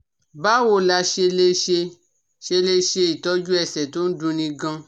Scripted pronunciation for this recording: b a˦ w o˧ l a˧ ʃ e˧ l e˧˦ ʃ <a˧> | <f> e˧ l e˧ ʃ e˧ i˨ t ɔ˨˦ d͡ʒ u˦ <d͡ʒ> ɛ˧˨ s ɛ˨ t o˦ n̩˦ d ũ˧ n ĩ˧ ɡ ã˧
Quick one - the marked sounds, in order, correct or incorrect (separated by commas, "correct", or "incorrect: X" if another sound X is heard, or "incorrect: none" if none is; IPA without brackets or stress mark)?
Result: incorrect: e˧, incorrect: ʃ, incorrect: none